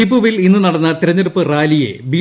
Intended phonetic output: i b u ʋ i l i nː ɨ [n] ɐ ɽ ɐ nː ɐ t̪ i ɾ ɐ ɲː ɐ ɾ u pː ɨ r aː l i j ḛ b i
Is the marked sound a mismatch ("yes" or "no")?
no